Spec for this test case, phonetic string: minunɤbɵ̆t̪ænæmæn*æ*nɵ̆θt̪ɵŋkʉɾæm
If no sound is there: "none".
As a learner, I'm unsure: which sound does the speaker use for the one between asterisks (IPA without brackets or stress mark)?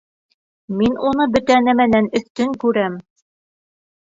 æ